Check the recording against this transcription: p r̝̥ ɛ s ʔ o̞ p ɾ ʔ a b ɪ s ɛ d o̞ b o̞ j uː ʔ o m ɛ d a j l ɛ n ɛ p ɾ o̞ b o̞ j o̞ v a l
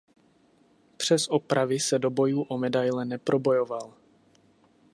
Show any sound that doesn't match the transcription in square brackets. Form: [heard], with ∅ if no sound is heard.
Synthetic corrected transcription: p r̝̥ ɛ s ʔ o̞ p ɾ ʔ a [v] ɪ s ɛ d o̞ b o̞ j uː ʔ o m ɛ d a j l ɛ n ɛ p ɾ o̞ b o̞ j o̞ v a l